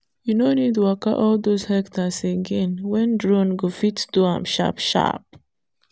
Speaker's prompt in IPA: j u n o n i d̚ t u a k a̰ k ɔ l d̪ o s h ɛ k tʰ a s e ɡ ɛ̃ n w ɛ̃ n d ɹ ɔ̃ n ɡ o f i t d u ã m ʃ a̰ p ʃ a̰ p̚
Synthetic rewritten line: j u n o n i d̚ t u a k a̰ ʔ ɔ l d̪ o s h ɛ k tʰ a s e ɡ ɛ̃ n w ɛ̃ n d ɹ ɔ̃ n ɡ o f i t d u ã m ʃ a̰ p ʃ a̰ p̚